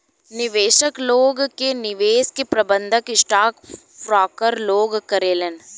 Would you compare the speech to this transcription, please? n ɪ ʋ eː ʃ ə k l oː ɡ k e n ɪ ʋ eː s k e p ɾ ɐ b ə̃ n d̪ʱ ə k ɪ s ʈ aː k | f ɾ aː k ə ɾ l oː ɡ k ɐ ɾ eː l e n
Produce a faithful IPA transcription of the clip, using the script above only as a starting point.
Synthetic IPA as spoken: n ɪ ʋ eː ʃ ə k l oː ɡ k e n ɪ ʋ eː s k e p ɾ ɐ b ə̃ n d̪ʱ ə k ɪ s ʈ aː k | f ɾ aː k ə ɾ l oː ɡ k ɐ ɾ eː l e n